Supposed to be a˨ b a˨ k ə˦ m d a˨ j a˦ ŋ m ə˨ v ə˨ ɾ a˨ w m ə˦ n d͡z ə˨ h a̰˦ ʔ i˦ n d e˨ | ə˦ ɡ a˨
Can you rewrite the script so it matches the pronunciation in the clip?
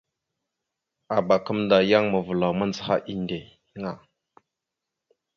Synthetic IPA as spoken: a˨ b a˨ k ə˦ m d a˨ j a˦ ŋ m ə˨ v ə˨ l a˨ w m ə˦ n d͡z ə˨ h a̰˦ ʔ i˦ n d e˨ | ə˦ ŋ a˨